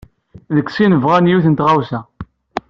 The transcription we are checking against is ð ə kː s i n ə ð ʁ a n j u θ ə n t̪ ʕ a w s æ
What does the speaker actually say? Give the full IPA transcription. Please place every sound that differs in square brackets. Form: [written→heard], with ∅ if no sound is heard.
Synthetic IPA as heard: ð ə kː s i n ə [ð→v] ʁ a n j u θ ə n t̪ [ʕ→ʁ] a w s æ